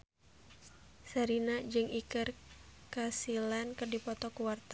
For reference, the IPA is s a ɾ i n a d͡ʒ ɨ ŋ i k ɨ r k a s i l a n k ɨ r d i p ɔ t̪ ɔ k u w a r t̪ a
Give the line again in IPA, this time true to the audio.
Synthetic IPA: s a ɾ i n a d͡ʒ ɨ ŋ i k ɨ r k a s i l a n k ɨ r d i p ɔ t̪ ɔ k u w a r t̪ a